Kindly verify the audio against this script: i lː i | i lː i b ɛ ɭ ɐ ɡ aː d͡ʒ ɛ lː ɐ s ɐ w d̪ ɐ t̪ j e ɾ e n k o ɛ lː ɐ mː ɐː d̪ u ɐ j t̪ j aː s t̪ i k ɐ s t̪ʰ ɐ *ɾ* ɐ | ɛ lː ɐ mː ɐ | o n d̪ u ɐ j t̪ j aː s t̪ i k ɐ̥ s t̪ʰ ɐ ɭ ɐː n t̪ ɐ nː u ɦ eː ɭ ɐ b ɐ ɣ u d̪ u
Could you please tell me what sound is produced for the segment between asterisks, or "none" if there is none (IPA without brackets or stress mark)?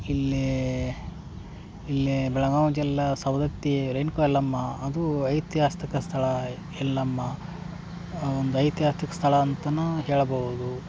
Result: ɭ